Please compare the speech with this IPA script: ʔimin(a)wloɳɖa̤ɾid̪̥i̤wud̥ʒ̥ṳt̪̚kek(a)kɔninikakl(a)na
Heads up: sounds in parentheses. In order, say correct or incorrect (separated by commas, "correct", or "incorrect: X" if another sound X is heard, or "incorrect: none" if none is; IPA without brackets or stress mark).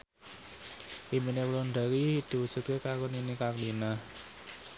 incorrect: e, correct, incorrect: i